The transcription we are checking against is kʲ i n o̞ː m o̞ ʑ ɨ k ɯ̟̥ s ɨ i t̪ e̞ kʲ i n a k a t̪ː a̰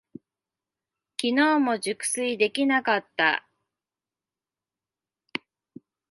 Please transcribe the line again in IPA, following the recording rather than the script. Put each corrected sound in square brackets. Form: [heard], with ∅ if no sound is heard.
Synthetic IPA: kʲ i n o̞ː m o̞ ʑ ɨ k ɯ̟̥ s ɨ i [d̪] e̞ kʲ i n a k a t̪ː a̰